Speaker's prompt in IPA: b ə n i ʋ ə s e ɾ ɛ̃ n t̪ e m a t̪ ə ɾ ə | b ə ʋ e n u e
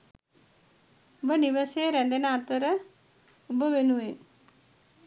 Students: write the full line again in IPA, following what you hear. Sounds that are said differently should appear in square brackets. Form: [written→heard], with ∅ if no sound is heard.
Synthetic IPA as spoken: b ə n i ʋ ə s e ɾ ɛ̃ n [t̪→d̪] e [m→n] a t̪ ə ɾ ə | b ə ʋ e n u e